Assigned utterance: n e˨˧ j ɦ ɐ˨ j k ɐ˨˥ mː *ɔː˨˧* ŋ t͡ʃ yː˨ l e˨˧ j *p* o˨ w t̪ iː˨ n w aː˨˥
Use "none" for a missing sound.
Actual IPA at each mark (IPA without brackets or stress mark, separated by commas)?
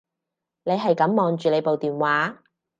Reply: ɔː˨˧, p